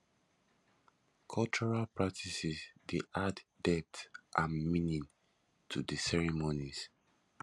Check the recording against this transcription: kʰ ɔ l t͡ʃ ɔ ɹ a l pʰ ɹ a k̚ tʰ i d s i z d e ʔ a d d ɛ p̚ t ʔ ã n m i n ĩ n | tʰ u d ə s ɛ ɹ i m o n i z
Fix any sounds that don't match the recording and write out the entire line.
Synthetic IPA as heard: kʰ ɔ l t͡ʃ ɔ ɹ a l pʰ ɹ a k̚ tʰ i s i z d e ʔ a d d ɛ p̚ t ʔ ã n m i n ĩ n | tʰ u d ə s ɛ ɹ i m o n i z